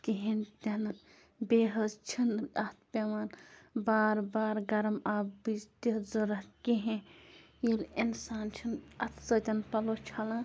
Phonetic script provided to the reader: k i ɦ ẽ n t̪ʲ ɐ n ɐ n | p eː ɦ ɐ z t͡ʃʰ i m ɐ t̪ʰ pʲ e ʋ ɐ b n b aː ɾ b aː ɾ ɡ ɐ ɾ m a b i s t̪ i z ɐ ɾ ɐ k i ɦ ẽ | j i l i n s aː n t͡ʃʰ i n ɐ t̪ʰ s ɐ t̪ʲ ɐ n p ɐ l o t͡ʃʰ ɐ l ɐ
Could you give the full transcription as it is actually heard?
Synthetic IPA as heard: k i ɦ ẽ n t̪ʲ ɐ n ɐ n | b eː ɦ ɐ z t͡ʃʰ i n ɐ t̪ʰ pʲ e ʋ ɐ n b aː ɾ b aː ɾ ɡ ɐ ɾ m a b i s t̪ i z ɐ ɾ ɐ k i ɦ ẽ | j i l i n s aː n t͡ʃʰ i n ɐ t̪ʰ s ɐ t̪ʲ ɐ n p ɐ l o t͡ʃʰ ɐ l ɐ